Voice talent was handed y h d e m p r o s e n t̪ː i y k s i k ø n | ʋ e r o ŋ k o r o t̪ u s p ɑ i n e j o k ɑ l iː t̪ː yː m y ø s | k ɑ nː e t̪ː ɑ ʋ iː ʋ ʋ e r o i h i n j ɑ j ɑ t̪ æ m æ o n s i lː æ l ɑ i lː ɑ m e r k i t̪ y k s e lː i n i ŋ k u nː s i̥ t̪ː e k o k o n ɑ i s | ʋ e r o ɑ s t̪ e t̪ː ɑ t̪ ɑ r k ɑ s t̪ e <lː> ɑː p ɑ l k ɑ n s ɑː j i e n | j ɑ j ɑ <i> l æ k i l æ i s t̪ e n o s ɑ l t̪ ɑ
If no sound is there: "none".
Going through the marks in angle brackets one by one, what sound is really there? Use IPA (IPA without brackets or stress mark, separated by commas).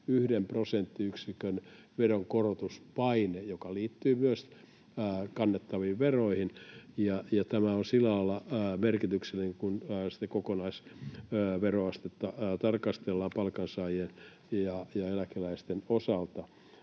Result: lː, e